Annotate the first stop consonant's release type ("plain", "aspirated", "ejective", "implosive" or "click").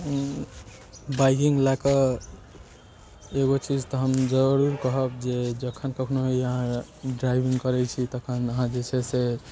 plain